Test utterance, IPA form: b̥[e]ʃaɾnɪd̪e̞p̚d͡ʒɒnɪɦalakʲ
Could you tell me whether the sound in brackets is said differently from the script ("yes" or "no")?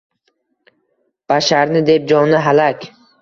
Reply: yes